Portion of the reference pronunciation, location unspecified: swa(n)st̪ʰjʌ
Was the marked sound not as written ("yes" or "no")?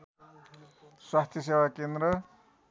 yes